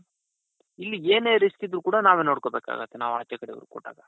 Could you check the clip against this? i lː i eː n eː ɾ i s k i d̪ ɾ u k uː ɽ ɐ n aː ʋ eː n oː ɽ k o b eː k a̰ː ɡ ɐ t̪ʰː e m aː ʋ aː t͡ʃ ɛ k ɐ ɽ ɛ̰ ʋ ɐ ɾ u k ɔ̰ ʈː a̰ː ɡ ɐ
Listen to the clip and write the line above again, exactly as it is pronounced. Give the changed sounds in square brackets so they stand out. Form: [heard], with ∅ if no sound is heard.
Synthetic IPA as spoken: i lː i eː n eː ɾ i s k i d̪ ɾ u k uː ɽ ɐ n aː ʋ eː n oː ɽ k o b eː k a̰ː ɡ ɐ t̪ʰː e [n] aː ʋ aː t͡ʃ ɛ k ɐ ɽ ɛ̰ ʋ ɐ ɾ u k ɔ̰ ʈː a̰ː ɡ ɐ